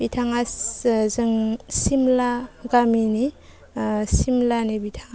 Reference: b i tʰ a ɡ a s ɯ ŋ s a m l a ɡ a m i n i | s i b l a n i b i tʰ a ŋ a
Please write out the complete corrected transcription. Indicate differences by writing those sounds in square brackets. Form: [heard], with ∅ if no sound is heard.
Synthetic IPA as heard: b i tʰ a [ŋ] a [z] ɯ ŋ s [i] m l a ɡ a m i n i | s i [m] l a n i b i tʰ a ŋ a